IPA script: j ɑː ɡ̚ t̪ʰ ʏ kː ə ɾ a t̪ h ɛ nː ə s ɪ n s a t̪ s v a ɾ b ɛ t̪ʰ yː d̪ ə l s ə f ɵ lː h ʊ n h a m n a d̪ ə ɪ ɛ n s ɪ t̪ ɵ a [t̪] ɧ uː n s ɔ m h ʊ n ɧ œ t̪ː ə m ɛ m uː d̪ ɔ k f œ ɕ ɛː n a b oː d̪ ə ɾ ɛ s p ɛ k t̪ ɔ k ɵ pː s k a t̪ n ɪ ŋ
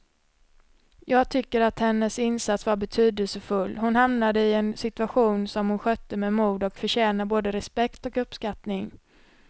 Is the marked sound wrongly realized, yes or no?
yes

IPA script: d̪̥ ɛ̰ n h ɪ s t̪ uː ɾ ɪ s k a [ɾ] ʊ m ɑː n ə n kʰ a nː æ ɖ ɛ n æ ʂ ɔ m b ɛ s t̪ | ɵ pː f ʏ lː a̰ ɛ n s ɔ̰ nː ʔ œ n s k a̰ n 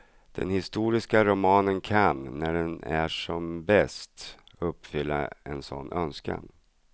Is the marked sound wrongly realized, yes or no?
no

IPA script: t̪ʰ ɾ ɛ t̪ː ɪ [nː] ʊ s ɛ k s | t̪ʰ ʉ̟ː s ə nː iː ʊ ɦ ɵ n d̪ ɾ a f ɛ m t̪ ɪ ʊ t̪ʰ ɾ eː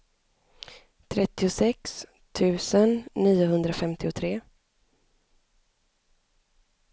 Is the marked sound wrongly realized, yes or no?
yes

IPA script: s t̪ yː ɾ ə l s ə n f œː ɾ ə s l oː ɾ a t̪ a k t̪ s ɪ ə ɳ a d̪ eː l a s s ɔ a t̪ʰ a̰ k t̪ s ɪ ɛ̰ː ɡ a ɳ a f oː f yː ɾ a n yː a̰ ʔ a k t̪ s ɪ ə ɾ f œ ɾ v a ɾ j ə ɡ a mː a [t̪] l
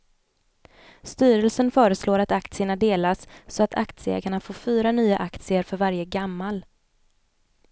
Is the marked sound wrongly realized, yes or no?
yes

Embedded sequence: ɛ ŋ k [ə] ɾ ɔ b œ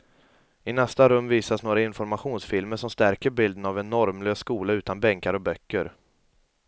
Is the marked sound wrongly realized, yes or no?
yes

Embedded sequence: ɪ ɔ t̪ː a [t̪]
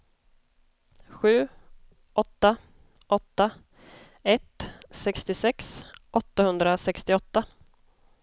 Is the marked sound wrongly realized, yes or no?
yes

